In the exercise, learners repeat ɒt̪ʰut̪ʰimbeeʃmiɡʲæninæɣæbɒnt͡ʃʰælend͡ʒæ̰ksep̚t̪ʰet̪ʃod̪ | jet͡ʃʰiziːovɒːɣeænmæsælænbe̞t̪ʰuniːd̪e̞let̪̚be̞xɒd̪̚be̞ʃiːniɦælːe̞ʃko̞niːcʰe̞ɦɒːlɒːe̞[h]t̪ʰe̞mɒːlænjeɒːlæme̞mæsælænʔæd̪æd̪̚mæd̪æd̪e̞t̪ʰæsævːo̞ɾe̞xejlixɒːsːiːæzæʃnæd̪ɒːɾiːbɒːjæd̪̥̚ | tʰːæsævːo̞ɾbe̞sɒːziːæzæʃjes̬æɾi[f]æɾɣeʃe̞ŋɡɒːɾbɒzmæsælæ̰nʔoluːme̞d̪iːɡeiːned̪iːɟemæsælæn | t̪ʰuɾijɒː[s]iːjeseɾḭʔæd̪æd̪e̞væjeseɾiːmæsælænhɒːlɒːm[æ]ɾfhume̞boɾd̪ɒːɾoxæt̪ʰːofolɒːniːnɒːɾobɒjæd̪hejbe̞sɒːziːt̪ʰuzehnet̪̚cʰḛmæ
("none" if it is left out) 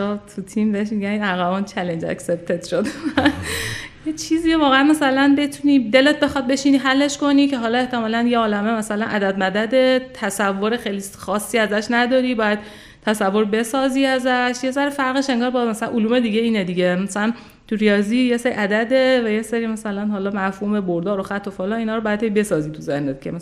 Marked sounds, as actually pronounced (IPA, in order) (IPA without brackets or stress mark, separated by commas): h, f, z, æ